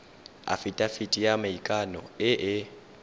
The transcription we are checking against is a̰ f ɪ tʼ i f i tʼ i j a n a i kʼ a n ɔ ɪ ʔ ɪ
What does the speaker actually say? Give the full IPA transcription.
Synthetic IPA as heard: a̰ f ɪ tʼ a f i tʼ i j a m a i kʼ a n ɔ ɪ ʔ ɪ